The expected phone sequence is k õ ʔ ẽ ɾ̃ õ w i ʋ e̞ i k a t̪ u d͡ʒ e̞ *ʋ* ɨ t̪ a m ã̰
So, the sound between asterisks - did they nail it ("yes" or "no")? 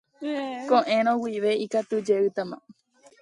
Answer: no